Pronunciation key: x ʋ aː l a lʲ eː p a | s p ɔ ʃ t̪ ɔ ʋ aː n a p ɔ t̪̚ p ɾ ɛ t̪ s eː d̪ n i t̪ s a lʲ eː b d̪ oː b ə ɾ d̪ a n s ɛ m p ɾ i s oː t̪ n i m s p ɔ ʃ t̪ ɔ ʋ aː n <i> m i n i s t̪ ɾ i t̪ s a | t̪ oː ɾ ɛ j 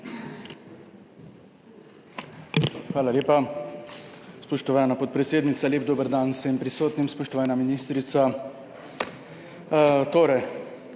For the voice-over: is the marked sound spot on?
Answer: no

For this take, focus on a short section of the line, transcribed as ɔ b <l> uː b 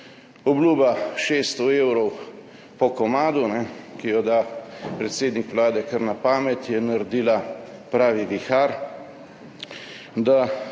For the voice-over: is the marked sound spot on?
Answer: yes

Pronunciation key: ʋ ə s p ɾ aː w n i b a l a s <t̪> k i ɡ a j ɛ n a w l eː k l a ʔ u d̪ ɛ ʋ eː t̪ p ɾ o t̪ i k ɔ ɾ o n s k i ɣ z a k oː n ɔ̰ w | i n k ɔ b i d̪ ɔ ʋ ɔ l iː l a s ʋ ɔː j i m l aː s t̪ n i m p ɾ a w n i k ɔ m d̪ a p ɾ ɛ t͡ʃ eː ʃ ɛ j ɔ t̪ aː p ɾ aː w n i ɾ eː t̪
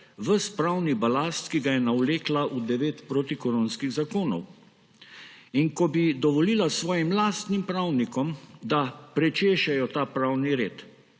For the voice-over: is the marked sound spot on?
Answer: yes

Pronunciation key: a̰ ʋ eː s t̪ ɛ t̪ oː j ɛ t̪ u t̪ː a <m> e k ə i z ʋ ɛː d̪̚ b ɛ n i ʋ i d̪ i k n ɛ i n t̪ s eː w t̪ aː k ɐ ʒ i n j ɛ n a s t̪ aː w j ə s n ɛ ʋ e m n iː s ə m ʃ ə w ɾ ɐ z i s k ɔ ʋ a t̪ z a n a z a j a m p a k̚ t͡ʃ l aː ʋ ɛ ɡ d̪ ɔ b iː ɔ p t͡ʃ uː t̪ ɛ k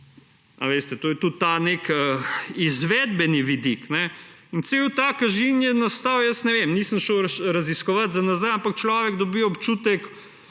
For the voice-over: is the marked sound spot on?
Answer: no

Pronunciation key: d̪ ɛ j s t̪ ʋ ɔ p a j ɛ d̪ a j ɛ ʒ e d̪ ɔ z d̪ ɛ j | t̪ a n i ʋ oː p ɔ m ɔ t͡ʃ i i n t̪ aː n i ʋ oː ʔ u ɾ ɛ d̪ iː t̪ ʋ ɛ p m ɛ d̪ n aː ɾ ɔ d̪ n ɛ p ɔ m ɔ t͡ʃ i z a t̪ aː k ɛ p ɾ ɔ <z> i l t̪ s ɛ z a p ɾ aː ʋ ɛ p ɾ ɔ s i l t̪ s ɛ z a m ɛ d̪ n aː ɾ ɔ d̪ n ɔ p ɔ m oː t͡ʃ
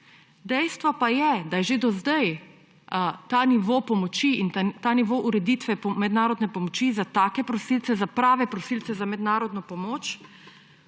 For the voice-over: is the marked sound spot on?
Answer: no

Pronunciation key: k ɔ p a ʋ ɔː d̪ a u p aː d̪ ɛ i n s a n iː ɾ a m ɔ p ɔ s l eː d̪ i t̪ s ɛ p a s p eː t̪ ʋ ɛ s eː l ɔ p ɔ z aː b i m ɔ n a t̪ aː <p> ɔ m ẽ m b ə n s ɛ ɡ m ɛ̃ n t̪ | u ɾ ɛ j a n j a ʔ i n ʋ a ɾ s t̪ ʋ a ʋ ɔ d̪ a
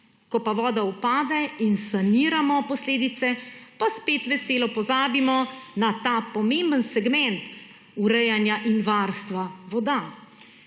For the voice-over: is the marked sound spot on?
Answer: yes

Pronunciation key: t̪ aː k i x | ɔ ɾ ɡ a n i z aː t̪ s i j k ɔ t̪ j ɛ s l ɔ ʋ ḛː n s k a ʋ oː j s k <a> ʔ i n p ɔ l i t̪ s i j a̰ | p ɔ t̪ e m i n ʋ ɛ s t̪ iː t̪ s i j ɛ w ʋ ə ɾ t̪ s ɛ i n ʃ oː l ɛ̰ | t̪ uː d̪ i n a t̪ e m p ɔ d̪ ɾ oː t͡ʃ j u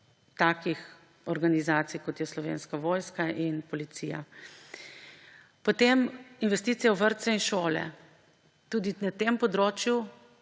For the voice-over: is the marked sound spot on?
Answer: yes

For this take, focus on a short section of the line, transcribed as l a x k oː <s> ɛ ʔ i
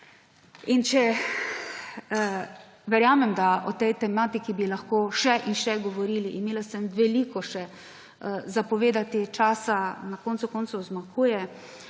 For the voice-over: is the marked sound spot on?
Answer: no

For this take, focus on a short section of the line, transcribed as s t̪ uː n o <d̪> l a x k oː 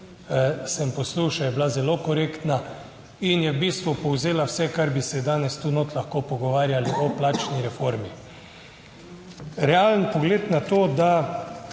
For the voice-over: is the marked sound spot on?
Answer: no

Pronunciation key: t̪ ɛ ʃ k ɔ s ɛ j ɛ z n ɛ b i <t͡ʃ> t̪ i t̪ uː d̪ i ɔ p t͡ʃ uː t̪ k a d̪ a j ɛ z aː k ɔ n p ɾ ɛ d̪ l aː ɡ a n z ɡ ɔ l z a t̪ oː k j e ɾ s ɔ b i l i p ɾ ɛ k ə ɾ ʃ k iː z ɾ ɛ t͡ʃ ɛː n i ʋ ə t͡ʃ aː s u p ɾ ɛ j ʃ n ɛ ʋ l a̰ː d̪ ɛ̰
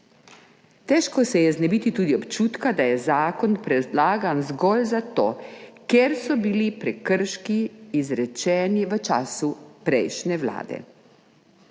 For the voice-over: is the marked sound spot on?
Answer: no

